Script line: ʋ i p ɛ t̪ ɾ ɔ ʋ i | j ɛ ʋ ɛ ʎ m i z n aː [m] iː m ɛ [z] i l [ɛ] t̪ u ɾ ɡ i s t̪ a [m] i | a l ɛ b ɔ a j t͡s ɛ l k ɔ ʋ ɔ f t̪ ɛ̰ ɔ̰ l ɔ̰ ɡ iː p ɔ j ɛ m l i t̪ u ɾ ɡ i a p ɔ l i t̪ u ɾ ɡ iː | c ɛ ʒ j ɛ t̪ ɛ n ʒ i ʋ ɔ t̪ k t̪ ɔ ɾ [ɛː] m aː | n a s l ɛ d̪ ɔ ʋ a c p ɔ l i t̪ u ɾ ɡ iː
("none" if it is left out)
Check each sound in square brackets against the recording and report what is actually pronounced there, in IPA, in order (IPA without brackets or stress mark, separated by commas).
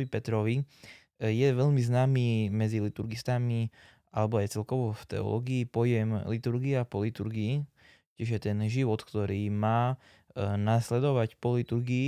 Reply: m, d͡z, i, m, iː